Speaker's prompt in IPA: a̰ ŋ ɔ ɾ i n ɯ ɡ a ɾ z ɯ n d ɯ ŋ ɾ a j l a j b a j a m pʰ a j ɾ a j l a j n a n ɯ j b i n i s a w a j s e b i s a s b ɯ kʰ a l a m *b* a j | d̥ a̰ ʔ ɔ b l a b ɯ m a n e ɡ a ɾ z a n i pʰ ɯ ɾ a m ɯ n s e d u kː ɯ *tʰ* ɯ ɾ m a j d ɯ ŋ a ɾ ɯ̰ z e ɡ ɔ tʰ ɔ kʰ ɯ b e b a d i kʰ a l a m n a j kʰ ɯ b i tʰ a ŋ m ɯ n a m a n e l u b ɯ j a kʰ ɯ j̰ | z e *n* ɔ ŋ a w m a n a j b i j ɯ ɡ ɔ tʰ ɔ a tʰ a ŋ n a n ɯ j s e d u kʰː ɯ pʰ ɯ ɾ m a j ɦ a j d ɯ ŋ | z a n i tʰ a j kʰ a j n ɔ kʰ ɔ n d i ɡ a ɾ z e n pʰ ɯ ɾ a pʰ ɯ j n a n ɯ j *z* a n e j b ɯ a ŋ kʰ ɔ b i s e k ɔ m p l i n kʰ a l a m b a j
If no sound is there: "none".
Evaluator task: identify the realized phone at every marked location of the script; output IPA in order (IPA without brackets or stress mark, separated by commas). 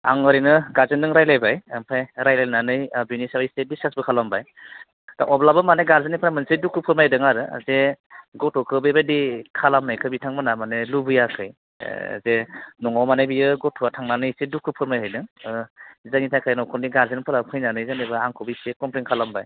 b, pʰ, n, z